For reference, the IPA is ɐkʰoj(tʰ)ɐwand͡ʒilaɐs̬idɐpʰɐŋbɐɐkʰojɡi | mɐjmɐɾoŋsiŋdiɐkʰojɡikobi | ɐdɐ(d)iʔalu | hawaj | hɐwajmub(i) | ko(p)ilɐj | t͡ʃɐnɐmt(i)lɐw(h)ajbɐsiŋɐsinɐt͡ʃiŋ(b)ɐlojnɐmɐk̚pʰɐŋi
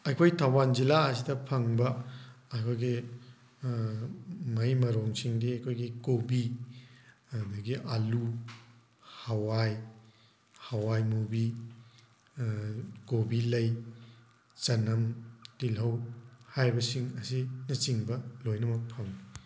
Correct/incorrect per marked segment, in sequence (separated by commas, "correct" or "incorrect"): correct, incorrect, correct, incorrect, correct, correct, correct